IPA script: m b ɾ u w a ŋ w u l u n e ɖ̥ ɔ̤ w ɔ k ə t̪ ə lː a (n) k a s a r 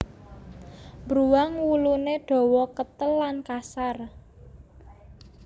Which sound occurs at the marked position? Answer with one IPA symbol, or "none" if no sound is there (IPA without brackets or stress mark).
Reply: n